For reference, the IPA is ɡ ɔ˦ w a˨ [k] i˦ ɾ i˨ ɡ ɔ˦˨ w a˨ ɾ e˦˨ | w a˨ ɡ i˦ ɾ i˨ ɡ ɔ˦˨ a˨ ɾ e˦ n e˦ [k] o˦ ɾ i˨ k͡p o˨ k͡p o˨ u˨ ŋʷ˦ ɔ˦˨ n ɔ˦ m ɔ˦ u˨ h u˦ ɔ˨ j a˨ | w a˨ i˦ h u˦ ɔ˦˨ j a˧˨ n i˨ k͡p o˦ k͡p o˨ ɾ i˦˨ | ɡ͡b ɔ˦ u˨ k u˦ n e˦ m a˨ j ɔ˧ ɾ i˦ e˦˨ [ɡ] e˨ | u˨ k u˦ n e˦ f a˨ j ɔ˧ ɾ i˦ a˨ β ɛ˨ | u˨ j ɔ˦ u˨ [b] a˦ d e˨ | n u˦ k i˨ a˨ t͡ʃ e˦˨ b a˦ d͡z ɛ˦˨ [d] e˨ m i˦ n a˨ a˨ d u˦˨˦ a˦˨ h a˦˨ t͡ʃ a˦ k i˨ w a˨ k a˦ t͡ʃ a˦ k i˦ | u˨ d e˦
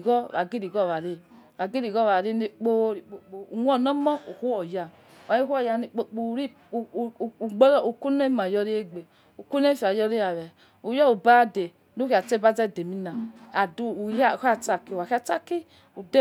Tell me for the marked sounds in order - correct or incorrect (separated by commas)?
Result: incorrect, incorrect, incorrect, correct, correct